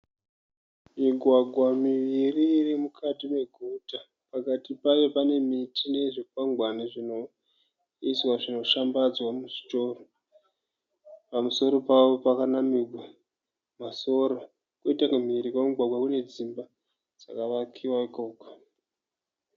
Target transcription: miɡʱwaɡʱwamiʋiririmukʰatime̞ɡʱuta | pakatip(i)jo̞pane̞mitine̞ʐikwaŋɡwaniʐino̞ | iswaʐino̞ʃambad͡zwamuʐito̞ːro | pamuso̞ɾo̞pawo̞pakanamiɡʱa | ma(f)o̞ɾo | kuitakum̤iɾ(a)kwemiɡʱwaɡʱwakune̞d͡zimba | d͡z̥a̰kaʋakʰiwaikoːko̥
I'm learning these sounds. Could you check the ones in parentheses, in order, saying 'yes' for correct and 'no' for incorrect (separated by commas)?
no, no, no